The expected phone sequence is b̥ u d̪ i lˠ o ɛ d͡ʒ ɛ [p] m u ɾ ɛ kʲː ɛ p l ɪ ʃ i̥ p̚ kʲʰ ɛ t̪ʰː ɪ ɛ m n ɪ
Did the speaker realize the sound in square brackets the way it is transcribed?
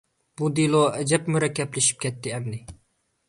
yes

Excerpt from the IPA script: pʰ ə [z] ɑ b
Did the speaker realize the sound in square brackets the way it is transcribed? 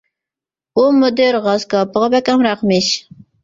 no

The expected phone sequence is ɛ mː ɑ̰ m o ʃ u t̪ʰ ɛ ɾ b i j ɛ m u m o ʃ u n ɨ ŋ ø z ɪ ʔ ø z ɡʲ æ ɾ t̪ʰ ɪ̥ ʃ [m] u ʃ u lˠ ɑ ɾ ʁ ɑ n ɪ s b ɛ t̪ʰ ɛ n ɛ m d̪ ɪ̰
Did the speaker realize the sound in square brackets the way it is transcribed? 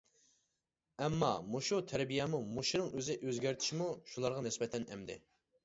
yes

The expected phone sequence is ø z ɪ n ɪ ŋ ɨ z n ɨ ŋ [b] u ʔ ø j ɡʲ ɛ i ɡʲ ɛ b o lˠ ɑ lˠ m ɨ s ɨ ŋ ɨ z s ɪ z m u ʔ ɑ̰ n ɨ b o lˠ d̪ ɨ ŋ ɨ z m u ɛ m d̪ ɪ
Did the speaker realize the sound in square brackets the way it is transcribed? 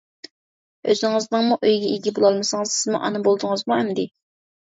no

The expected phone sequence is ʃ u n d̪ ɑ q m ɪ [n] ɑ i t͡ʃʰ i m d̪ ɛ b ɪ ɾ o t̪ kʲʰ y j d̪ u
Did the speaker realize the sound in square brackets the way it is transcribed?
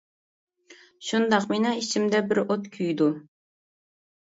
yes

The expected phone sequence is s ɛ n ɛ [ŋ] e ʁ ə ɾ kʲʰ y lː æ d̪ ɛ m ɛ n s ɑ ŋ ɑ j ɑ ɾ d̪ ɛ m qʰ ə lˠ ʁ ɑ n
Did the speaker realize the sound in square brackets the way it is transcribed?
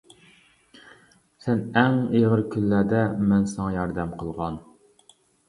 yes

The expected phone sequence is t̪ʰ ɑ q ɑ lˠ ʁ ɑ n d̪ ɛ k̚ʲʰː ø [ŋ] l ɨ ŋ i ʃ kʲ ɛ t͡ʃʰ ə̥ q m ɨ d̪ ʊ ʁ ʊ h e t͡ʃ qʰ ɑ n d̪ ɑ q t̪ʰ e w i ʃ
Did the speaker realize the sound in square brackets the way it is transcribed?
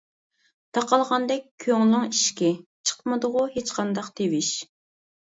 yes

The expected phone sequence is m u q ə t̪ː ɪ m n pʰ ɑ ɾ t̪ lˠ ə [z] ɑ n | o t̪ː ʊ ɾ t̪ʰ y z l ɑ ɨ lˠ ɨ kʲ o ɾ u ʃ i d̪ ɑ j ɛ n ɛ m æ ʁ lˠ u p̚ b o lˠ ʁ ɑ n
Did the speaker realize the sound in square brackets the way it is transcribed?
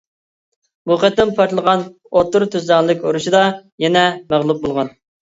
no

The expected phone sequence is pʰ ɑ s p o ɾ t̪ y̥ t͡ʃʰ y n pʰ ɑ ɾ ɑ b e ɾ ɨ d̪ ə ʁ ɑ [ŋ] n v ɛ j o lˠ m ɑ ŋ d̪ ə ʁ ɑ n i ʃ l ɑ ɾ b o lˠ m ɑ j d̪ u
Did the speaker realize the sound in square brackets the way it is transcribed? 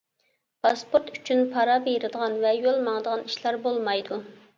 no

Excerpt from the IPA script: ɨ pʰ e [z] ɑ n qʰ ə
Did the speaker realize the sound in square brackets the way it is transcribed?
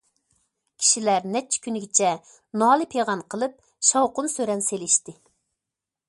no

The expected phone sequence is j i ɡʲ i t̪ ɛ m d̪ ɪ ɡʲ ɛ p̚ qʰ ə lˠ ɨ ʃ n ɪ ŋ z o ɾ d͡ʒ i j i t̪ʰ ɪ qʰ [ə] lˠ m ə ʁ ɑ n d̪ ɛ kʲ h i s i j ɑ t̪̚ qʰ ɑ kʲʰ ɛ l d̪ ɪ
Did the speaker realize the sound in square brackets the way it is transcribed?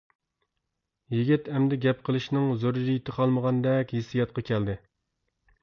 no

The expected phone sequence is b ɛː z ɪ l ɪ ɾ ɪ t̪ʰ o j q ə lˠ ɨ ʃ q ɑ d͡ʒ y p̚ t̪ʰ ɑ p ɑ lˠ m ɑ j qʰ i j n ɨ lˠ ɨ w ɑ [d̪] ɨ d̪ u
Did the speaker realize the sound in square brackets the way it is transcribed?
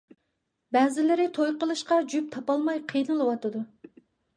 no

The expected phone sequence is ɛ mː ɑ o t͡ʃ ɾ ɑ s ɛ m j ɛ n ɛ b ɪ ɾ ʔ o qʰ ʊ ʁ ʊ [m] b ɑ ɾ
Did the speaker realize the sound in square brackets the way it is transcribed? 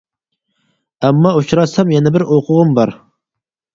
yes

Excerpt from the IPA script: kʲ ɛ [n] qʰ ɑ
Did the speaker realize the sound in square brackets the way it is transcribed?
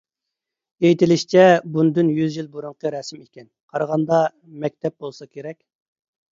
yes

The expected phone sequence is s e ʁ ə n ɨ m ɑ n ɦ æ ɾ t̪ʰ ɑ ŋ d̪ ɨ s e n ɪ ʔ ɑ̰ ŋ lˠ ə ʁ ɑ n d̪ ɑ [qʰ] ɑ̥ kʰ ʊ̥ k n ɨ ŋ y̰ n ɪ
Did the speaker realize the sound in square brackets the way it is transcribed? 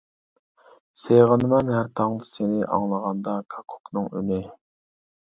no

